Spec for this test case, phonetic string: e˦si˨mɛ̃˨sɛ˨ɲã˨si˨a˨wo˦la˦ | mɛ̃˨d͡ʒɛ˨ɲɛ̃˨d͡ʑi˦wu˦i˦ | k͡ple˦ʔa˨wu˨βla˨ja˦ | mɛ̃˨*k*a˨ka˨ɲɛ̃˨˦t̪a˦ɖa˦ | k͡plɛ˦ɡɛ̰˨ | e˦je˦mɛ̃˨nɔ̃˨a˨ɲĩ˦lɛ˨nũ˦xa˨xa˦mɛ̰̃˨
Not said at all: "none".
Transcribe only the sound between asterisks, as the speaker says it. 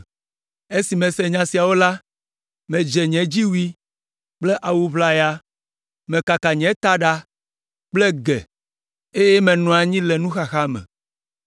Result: k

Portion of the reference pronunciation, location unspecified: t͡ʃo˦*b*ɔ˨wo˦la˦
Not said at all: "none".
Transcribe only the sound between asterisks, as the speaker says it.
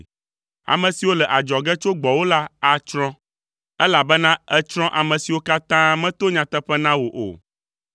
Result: ɡ͡b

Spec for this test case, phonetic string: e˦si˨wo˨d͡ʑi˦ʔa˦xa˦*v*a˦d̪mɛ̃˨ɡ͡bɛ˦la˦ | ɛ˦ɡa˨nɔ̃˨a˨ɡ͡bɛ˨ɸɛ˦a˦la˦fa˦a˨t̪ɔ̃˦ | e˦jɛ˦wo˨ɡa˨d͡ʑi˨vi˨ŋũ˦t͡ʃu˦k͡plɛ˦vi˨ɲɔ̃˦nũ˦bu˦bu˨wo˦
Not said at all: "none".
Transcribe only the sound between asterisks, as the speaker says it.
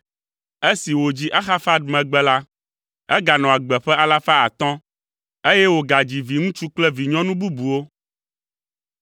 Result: f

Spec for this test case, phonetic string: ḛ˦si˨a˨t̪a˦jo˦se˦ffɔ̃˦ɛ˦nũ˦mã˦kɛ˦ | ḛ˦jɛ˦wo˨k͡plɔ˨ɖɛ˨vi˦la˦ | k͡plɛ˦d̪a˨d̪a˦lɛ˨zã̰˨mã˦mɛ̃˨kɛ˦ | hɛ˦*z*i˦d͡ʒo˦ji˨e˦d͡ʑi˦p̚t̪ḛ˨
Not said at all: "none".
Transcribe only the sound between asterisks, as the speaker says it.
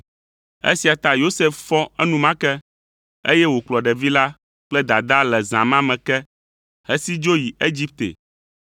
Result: s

